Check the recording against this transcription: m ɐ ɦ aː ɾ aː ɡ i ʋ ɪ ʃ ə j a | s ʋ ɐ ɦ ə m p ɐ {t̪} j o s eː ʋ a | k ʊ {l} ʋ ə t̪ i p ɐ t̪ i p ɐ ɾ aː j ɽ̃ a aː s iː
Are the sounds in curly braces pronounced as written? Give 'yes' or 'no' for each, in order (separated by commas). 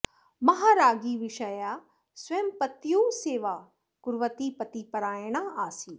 yes, no